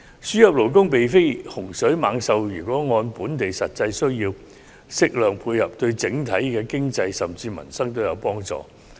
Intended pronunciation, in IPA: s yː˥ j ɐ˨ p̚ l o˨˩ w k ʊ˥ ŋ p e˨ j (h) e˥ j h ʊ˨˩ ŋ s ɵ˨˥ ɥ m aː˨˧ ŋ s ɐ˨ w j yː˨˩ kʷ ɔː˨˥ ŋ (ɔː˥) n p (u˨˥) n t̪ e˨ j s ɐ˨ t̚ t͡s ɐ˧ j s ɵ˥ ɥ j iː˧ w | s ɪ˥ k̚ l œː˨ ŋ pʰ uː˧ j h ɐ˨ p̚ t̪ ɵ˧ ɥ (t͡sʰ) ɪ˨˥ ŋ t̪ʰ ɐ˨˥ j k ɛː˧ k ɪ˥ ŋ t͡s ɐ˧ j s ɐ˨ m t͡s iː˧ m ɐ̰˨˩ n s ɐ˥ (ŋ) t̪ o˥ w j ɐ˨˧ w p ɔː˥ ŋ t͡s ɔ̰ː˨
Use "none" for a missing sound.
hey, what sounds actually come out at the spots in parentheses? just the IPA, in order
f, ɔː˧, uː˨˥, t͡s, ŋ

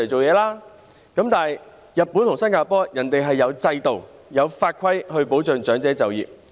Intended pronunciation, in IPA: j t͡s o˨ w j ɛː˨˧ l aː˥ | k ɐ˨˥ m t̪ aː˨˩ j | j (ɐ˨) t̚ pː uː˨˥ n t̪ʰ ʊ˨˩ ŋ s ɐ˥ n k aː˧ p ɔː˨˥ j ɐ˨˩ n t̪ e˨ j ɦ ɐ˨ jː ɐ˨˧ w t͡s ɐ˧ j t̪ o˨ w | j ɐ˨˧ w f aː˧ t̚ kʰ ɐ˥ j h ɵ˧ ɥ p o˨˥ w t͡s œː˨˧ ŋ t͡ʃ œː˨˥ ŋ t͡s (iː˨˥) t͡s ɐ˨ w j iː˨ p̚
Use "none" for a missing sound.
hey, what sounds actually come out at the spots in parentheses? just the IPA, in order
ɐ˨, ɛː˨˥

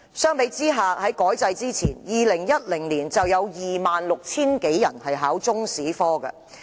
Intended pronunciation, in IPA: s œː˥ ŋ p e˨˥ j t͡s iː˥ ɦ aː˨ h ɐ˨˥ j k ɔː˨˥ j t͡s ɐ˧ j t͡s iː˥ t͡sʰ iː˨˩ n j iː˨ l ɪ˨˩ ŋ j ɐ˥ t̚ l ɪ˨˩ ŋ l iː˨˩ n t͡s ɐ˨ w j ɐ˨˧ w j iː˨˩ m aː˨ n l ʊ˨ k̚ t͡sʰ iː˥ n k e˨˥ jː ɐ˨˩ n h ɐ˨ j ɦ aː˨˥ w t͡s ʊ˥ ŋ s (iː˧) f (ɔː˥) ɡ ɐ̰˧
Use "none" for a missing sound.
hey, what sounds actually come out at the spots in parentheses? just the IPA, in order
iː˨˥, ɔː˥

